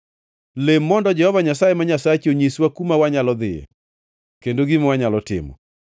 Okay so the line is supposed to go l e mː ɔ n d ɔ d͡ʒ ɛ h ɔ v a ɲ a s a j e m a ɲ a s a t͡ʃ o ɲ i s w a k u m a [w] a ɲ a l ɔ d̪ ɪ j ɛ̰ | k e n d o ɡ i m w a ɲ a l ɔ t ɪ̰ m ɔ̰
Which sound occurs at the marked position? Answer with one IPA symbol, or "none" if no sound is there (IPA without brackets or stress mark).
w